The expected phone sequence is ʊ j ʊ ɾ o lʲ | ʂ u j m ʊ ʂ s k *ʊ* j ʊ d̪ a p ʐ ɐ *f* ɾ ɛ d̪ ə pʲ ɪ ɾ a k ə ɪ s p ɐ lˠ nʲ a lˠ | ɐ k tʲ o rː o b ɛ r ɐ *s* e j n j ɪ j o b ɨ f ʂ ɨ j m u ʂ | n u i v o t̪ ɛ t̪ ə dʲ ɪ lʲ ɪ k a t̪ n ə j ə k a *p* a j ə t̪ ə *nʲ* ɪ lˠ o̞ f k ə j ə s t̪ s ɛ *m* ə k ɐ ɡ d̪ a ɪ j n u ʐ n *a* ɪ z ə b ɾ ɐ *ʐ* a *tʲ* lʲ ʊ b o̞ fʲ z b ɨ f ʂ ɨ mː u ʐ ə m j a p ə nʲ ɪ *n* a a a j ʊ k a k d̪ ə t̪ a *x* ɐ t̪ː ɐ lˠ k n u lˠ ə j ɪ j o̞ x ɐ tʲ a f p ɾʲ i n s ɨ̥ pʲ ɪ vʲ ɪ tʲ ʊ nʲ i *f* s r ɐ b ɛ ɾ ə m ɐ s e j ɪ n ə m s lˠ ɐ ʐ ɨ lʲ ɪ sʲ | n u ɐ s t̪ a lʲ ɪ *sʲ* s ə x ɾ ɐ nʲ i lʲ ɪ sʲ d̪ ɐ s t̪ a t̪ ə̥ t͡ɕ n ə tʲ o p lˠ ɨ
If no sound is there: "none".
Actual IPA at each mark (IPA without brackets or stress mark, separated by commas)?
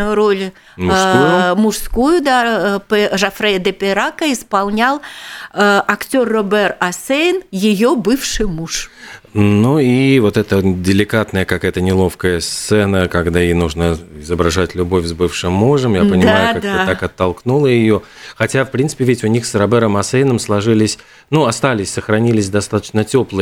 u, f, s, k, nʲ, n, ə, ʐ, tʲ, m, k, x, sʲ